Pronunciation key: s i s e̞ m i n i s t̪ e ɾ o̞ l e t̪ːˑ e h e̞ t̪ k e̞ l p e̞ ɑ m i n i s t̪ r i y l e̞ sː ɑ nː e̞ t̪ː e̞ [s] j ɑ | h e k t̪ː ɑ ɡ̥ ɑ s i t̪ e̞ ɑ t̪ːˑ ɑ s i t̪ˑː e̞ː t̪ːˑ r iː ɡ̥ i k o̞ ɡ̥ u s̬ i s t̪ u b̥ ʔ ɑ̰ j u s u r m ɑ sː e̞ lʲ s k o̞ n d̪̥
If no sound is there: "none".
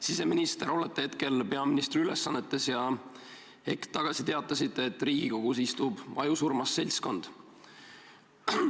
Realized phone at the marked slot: s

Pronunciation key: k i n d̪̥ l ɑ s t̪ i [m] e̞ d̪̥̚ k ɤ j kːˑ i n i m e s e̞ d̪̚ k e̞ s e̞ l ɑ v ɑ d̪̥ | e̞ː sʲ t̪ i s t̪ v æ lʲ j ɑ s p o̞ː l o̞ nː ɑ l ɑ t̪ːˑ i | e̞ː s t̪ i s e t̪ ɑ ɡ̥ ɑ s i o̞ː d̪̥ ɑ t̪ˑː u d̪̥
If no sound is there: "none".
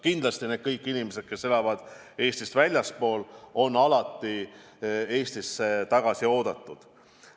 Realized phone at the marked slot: n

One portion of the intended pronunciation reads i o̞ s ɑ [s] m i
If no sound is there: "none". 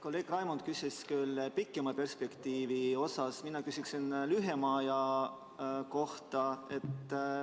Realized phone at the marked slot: s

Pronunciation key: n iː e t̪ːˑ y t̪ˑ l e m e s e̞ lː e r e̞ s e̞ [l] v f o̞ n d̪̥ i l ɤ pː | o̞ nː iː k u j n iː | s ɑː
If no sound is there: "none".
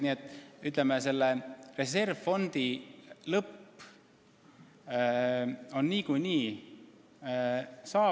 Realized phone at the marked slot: r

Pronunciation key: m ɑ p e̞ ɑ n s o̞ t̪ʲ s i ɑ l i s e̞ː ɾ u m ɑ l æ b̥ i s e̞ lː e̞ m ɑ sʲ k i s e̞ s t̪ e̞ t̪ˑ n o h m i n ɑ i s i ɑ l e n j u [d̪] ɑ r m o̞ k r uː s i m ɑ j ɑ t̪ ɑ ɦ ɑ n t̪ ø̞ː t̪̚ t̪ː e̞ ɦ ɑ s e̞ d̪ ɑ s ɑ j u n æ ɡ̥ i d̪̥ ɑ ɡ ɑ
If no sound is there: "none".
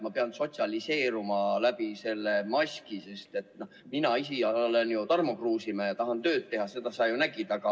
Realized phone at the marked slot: t̪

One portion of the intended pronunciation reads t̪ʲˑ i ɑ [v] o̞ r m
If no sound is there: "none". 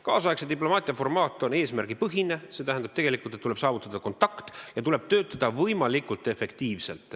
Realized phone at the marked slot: f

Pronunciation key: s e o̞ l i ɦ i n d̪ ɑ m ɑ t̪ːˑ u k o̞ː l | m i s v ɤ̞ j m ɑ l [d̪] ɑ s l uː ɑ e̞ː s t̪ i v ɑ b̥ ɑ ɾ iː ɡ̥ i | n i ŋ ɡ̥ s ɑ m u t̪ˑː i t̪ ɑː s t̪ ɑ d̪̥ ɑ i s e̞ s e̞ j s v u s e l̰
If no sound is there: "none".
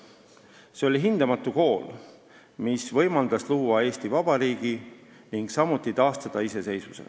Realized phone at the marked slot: d̪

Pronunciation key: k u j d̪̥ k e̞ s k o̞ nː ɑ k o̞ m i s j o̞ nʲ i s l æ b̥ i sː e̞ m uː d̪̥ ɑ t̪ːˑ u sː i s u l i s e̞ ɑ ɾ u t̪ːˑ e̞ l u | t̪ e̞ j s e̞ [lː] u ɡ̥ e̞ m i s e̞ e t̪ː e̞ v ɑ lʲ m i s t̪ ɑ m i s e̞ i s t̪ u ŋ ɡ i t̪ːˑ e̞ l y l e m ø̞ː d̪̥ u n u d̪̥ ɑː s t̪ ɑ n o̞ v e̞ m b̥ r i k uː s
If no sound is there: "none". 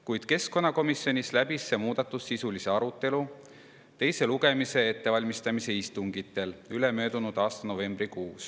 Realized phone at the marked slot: l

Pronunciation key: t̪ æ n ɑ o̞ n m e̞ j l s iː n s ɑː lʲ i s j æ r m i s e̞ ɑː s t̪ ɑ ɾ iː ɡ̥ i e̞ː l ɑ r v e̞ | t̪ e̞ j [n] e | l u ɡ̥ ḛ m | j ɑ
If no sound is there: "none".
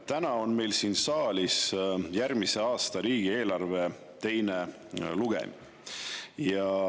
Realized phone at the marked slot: n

